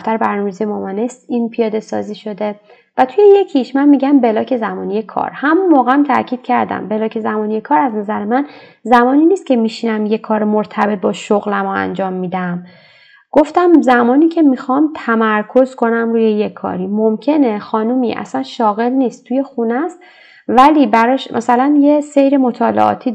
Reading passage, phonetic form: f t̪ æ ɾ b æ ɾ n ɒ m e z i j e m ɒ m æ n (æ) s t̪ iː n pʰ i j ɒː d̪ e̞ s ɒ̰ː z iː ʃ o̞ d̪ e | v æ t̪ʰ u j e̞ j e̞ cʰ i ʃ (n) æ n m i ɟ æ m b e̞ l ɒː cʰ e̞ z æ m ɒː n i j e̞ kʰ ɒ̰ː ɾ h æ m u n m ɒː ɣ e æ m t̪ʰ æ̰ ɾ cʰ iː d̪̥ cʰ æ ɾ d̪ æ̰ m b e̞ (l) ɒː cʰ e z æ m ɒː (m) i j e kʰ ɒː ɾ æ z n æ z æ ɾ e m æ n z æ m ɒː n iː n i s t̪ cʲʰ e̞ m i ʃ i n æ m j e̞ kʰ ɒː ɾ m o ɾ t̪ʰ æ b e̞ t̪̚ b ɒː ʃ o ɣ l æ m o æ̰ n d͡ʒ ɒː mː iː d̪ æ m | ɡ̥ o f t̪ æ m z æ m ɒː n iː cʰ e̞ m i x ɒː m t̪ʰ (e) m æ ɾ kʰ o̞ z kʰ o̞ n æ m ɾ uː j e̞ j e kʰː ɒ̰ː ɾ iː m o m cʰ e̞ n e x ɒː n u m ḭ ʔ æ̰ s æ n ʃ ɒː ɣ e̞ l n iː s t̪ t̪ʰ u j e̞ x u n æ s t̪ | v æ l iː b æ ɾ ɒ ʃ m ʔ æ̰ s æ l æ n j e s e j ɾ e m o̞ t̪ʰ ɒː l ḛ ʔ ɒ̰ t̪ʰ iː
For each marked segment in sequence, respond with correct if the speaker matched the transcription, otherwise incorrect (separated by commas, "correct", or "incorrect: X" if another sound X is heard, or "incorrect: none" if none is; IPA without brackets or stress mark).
incorrect: e, incorrect: m, correct, incorrect: n, incorrect: æ